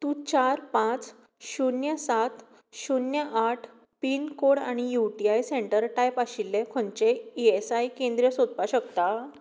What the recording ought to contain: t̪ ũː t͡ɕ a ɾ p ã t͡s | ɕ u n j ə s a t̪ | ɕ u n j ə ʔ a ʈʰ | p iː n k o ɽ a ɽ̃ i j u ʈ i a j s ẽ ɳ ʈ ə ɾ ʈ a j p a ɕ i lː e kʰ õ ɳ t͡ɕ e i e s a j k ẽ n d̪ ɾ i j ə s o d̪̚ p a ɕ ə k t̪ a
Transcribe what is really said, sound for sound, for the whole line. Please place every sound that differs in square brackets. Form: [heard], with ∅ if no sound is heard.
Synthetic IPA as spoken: t̪ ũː t͡ɕ a ɾ p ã t͡s | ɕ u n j ə s a t̪ | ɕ u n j ə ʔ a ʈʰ | p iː n k o ɽ a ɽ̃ i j u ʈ i a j s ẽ ɳ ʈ ə ɾ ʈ a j p a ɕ i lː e kʰ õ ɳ t͡ɕ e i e s a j k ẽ n d̪ ɾ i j ə s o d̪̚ p a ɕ ə k t̪ a